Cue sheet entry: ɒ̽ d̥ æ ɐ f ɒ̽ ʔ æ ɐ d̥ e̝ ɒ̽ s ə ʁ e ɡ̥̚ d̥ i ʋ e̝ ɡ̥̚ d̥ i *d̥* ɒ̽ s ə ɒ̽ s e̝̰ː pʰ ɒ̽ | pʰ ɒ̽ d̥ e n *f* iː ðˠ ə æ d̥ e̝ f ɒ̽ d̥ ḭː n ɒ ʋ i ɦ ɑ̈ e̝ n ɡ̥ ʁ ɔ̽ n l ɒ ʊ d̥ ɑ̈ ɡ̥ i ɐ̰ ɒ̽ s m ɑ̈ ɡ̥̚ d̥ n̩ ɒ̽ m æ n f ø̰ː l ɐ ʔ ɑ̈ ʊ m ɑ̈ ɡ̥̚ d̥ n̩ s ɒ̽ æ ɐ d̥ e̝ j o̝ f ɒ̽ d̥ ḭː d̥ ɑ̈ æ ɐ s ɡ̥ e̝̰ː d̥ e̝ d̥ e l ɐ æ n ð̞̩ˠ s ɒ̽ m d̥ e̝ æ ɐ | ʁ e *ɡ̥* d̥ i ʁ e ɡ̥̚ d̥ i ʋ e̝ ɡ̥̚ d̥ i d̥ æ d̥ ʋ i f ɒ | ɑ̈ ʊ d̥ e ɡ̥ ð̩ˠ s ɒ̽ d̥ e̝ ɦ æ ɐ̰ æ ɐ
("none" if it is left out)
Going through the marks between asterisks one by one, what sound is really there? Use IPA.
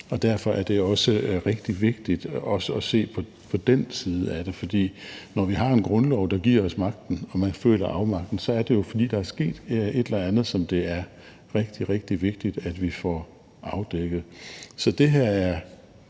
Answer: d̥, s, ɡ̥

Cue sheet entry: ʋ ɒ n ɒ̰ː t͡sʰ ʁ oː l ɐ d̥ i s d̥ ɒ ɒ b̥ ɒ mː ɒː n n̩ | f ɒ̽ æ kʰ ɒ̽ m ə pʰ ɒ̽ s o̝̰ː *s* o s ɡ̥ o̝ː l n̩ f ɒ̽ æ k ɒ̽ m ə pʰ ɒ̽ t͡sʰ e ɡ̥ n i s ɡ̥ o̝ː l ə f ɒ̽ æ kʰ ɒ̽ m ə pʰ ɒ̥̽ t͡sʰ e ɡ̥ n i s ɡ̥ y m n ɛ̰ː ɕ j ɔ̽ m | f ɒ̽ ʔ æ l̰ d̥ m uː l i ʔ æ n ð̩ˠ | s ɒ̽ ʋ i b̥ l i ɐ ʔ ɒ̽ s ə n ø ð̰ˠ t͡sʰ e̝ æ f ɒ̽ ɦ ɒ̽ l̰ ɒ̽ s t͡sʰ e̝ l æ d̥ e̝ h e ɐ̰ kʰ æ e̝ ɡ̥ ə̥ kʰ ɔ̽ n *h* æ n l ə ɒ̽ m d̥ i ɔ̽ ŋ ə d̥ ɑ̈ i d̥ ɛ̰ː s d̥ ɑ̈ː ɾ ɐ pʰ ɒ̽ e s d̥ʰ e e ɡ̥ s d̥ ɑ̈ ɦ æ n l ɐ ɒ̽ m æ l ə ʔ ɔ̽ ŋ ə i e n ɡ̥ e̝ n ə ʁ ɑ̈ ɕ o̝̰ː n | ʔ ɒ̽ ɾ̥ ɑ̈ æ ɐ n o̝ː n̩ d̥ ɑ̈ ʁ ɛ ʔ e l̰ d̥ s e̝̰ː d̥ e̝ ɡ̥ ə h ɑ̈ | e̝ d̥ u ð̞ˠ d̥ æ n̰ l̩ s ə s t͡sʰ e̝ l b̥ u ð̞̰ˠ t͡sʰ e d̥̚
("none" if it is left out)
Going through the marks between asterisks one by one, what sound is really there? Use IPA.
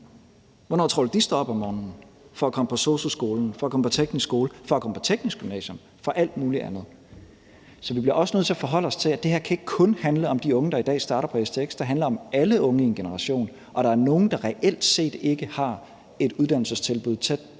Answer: s, h

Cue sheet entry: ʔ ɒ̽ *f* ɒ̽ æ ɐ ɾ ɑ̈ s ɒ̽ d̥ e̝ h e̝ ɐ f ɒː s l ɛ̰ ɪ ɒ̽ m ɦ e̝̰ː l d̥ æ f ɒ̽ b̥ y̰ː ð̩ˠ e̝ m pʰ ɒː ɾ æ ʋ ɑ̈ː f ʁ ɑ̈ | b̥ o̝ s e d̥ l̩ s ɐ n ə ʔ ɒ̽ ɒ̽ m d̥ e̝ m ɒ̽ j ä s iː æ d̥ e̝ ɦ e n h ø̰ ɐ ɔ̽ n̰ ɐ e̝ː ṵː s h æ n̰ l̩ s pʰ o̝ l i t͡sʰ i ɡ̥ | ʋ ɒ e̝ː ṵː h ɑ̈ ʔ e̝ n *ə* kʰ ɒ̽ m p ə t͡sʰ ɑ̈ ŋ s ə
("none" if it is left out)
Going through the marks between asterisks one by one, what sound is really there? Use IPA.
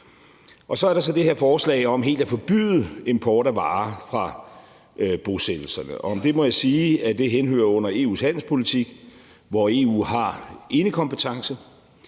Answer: s, ə

